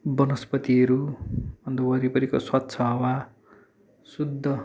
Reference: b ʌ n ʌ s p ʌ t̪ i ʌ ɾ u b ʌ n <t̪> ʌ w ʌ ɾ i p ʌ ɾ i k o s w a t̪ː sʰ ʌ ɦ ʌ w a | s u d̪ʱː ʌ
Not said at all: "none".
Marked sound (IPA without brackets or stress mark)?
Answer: d̪